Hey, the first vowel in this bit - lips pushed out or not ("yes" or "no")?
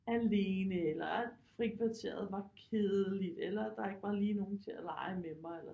no